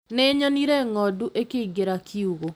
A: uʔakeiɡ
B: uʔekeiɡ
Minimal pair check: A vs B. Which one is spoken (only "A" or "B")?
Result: B